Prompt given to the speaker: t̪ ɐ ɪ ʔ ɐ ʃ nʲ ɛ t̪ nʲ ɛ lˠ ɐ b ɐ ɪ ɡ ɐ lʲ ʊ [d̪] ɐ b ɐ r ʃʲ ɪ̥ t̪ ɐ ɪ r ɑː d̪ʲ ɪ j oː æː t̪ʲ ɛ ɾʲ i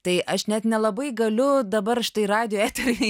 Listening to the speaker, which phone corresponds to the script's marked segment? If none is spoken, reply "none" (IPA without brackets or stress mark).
d̪